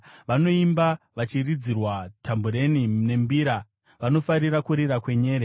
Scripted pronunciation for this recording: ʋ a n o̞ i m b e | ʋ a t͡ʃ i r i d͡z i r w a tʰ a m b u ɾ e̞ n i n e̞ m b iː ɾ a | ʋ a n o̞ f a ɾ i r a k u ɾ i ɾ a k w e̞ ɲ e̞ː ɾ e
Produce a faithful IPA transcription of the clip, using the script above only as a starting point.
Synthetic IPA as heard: ʋ a n o̞ i m b a | ʋ a t͡ʃ i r i d͡z i r w a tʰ a m b u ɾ e̞ n i n e̞ m b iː ɾ a | ʋ a n o̞ f a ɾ i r a k u ɾ i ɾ a k w e̞ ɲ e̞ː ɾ e